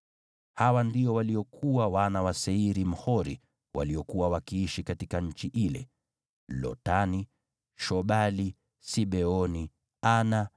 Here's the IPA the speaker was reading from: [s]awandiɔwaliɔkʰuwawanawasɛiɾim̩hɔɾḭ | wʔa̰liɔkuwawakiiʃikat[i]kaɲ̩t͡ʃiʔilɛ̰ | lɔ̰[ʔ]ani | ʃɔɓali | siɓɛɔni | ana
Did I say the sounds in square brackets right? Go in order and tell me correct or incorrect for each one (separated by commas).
incorrect, correct, incorrect